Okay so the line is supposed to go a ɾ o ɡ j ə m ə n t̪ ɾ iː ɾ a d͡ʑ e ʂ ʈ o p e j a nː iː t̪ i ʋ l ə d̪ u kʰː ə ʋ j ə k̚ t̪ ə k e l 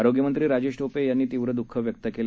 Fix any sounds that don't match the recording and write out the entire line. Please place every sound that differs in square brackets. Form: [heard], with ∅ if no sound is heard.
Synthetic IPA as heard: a ɾ o ɡ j ə m ə n t̪ ɾ iː ɾ a d͡ʑ e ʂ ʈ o p e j a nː iː t̪ i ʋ [ɾ] ə d̪ u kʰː ə ʋ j ə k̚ t̪ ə k e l